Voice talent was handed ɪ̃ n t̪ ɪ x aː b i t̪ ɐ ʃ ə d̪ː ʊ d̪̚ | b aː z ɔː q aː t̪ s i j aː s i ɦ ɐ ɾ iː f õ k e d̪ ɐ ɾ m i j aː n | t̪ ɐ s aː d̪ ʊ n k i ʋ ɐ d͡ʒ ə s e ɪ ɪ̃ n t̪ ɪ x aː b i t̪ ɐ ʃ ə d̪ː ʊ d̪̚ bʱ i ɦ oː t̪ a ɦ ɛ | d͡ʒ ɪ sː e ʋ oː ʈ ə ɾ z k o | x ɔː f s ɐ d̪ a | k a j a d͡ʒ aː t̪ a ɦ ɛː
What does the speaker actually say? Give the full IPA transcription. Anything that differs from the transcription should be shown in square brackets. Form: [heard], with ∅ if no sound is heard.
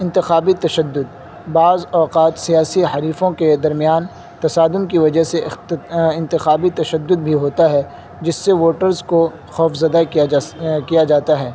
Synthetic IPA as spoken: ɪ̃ n t̪ ɪ x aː b i t̪ ɐ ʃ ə d̪ː ʊ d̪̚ | b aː z ɔː q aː t̪ s i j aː s i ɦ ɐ ɾ iː f õ k e d̪ ɐ ɾ m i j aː n | t̪ ɐ s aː d̪ ʊ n k i ʋ ɐ d͡ʒ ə s e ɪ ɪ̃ n t̪ ɪ x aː b i t̪ ɐ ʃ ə d̪ː ʊ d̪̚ bʱ i ɦ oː t̪ a ɦ ɛ | d͡ʒ ɪ sː e ʋ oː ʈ ə ɾ z k o | x ɔː f [z] ɐ d̪ a | k [i] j a d͡ʒ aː t̪ a ɦ ɛː